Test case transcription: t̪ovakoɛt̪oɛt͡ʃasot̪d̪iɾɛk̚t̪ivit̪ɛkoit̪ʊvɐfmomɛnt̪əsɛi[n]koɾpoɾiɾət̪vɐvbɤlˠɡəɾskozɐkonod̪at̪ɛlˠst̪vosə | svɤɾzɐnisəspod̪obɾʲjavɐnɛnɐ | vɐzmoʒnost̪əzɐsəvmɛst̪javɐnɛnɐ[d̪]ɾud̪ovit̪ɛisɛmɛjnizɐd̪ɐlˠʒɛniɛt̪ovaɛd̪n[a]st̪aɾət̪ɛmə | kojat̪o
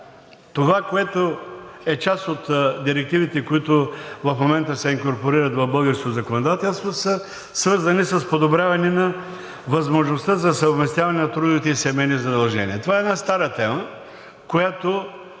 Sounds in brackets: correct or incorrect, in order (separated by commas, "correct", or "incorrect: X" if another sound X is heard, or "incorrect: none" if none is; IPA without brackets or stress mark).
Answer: incorrect: ŋ, incorrect: t̪, correct